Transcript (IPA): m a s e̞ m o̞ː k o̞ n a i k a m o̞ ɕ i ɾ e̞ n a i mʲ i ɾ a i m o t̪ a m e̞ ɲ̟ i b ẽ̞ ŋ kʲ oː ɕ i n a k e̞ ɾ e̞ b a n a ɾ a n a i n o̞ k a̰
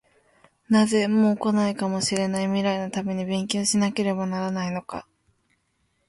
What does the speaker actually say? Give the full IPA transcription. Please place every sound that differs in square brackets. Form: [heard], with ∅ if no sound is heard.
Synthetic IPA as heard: [n] a [z] e̞ m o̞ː k o̞ n a i k a m o̞ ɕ i ɾ e̞ n a i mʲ i ɾ a i [n] o t̪ a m e̞ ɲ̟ i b ẽ̞ ŋ kʲ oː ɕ i n a k e̞ ɾ e̞ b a n a ɾ a n a i n o̞ k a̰